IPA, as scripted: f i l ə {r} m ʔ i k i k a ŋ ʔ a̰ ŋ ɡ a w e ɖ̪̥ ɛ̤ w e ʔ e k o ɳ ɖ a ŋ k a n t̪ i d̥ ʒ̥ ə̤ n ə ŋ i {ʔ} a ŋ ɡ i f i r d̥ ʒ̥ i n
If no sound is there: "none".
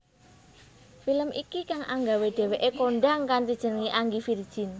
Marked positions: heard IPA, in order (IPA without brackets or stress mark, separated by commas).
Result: none, ʔ